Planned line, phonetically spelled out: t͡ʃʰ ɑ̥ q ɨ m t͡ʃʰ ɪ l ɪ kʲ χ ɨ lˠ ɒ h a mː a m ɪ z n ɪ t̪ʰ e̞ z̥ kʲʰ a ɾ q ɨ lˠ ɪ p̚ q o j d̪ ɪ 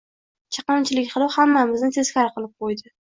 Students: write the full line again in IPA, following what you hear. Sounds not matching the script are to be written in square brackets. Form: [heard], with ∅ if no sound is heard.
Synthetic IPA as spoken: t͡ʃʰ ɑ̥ q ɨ m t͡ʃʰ ɪ l ɪ kʲ χ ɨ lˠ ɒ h a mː a m ɪ z n ɪ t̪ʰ e̞ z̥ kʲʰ a ɾ q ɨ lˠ ɪ p̚ q o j d̪ ɪ